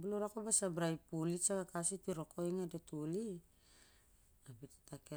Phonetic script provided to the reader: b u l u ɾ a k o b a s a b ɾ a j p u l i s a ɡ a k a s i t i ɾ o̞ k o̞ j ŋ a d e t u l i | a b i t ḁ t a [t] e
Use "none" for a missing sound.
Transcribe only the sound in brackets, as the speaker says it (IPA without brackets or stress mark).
k